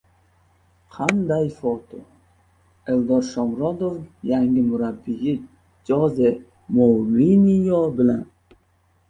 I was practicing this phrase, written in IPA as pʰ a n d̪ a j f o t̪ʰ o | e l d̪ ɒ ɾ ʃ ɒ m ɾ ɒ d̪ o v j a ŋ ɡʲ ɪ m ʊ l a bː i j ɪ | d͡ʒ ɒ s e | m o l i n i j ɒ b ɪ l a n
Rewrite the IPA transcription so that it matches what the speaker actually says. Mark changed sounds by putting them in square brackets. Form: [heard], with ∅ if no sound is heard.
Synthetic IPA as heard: [qʰ] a n d̪ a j f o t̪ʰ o | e l d̪ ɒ ɾ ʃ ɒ m ɾ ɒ d̪ o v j a ŋ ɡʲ ɪ m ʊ [ɾ] a bː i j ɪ | d͡ʒ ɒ [z] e | m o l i n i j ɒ b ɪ l a n

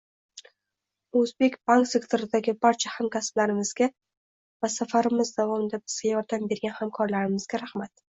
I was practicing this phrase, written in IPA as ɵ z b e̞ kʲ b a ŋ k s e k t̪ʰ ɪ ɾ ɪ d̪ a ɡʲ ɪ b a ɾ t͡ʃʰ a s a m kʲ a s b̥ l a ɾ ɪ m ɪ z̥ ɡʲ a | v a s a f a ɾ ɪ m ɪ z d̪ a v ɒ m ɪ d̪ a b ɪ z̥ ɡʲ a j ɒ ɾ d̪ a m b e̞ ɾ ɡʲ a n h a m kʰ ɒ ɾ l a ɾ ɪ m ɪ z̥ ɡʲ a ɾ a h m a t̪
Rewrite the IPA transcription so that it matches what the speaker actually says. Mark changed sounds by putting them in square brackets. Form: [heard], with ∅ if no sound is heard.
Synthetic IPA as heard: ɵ z b e̞ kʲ b a ŋ k s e k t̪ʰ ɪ ɾ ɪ d̪ a ɡʲ ɪ b a ɾ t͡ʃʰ a [h] a m kʲ a s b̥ l a ɾ ɪ m ɪ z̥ ɡʲ a | v a s a f a ɾ ɪ m ɪ z d̪ a v ɒ m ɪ d̪ a b ɪ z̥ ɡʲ a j ɒ ɾ d̪ a m b e̞ ɾ ɡʲ a n h a m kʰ ɒ ɾ l a ɾ ɪ m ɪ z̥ ɡʲ a ɾ a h m a t̪

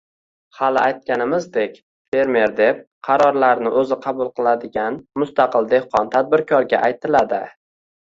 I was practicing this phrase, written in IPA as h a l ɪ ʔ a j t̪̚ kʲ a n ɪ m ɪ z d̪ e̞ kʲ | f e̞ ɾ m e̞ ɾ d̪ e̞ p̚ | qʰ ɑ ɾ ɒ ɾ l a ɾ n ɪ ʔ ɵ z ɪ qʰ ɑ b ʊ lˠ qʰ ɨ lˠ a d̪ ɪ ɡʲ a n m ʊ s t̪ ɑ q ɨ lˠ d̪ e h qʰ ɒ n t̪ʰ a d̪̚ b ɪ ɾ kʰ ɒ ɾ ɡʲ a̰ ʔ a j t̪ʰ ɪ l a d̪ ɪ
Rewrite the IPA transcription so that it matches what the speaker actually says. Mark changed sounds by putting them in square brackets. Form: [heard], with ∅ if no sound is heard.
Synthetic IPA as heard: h a l ɪ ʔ a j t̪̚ kʲ a n ɪ m ɪ z d̪ e̞ kʲ | f e̞ ɾ m e̞ ɾ d̪ e̞ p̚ | qʰ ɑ ɾ ɒ ɾ l a ɾ n ɪ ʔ ɵ z ɪ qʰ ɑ b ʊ lˠ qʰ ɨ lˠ a d̪ ɪ ɡʲ a n m ʊ s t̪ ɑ q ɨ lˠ d̪ e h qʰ ɒ n t̪ʰ a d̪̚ b ɪ ɾ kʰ ɒ ɾ ɡʲ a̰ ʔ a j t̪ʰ ɪ l a d̪ ɪ

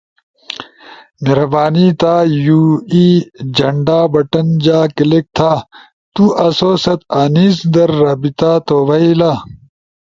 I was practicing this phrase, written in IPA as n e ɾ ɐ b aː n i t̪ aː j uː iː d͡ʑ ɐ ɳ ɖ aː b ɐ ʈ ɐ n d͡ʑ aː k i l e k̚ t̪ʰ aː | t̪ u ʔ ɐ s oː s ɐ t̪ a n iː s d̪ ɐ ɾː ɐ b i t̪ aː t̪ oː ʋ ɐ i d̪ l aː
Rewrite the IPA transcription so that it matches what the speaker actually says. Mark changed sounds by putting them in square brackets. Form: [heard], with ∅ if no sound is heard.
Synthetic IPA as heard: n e ɾ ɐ b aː n i t̪ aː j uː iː d͡ʑ ɐ ɳ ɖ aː b ɐ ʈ ɐ n d͡ʑ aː k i l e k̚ t̪ʰ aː | t̪ u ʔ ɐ s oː s ɐ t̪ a n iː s d̪ ɐ ɾː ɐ b i t̪ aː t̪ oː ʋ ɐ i [∅] l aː

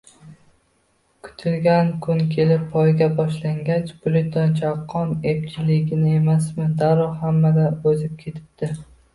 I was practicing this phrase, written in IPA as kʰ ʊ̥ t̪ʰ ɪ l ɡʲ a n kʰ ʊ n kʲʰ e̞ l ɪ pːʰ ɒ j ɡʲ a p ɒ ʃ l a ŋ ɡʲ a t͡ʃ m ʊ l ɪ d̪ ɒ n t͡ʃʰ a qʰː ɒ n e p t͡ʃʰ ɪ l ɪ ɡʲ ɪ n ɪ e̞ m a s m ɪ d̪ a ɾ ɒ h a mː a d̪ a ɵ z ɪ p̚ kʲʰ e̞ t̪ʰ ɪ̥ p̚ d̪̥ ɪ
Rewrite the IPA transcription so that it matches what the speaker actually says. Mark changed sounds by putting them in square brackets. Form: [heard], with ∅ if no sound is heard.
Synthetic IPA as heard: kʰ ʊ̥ t̪ʰ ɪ l ɡʲ a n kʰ ʊ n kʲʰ e̞ l ɪ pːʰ ɒ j ɡʲ a [b] ɒ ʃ l a ŋ ɡʲ a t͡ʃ [b] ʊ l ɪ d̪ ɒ n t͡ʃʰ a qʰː ɒ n e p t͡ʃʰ ɪ l ɪ ɡʲ ɪ n ɪ e̞ m a s m ɪ d̪ a ɾ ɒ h a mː a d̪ a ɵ z ɪ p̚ kʲʰ e̞ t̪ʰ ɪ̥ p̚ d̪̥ ɪ

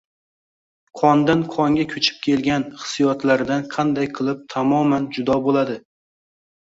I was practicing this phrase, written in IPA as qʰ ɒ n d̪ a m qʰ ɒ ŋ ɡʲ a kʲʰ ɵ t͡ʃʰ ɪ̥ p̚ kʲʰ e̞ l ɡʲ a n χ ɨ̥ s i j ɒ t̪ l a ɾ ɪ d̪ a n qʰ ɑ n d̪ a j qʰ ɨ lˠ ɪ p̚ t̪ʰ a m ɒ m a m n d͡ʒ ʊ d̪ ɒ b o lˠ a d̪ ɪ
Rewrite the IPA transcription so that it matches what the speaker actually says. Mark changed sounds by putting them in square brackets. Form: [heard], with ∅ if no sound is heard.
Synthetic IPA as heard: qʰ ɒ n d̪ a [n] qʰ ɒ ŋ ɡʲ a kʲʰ ɵ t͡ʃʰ ɪ̥ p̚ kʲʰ e̞ l ɡʲ a n χ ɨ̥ s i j ɒ t̪ l a ɾ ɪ d̪ a n qʰ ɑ n d̪ a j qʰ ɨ lˠ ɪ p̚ t̪ʰ a m ɒ m a [∅] n d͡ʒ ʊ d̪ ɒ b o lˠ a d̪ ɪ

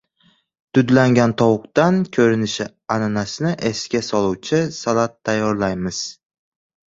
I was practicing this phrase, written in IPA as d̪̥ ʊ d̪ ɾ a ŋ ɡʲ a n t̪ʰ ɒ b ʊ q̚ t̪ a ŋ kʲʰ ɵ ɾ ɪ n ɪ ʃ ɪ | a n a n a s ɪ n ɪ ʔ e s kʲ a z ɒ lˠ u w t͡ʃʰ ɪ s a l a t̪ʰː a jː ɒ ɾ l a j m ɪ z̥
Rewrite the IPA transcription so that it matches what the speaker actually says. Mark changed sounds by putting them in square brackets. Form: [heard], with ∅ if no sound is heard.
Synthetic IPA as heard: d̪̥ ʊ d̪ [l] a ŋ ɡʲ a n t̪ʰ ɒ [w] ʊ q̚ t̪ a [n] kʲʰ ɵ ɾ ɪ n ɪ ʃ ɪ | a n a n a s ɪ n ɪ ʔ e s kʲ a [s] ɒ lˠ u w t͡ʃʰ ɪ s a l a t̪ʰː a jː ɒ ɾ l a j m ɪ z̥

